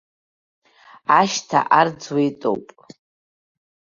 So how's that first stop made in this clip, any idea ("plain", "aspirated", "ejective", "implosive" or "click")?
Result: aspirated